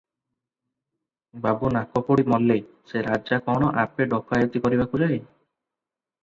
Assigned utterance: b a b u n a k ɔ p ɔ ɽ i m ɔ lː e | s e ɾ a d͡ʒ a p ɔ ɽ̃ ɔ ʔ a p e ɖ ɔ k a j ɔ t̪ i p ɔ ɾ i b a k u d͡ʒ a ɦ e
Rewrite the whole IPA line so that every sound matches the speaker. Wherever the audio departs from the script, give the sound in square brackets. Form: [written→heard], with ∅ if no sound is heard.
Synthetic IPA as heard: b a b u n a k ɔ p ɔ ɽ i m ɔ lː e | s e ɾ a d͡ʒ a [p→k] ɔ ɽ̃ ɔ ʔ a p e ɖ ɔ k a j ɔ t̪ i [p→k] ɔ ɾ i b a k u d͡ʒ a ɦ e